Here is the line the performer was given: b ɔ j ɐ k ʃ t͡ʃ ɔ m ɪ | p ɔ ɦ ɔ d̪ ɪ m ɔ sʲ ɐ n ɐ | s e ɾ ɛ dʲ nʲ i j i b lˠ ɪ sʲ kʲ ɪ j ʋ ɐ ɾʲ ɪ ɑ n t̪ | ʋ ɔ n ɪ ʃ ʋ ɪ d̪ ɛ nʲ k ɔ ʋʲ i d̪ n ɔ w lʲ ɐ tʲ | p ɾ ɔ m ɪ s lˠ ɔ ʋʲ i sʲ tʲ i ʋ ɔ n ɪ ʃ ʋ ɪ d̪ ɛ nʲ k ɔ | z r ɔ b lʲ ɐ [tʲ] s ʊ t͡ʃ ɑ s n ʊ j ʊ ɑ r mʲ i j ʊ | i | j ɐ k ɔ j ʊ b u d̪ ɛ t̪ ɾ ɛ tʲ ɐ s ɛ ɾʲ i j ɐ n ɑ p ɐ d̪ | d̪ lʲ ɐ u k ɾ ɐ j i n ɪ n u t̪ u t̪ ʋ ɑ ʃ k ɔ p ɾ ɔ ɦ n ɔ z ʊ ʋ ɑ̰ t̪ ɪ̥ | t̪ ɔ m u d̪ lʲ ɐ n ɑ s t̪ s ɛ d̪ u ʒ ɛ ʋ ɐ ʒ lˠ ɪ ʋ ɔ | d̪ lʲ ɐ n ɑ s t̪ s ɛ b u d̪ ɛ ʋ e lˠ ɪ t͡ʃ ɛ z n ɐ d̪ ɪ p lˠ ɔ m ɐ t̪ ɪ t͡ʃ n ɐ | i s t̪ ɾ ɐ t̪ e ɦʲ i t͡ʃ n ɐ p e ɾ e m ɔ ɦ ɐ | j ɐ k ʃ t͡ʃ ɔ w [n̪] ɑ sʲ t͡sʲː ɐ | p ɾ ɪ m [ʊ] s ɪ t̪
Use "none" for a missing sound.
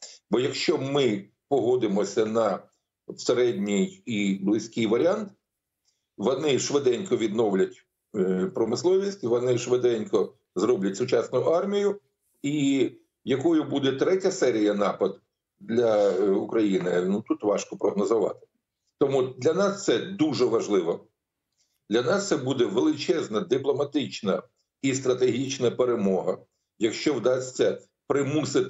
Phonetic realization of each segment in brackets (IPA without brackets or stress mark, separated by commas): tʲ, d̪, u